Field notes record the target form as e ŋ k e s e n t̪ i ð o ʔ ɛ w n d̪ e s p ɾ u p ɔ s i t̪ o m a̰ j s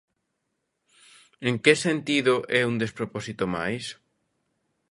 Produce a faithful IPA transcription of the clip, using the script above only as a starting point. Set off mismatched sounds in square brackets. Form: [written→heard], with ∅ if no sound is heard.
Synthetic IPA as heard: e ŋ k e s e n t̪ i ð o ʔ ɛ [w→u] n d̪ e s p ɾ [u→o] p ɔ s i t̪ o m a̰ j s